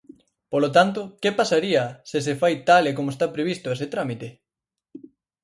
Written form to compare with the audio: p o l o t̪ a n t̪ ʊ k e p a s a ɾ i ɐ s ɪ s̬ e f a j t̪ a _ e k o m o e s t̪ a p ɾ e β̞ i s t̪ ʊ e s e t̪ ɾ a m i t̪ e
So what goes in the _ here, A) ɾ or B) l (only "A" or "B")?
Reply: B